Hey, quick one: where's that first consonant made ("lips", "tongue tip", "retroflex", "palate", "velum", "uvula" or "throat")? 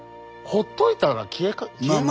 throat